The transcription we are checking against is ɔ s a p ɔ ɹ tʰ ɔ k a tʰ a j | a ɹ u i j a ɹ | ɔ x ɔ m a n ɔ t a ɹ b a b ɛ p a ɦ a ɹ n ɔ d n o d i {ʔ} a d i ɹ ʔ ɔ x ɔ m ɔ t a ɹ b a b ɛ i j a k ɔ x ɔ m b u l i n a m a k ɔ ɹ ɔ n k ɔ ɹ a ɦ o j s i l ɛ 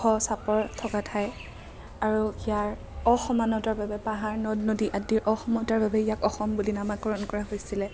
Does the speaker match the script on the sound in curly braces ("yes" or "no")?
yes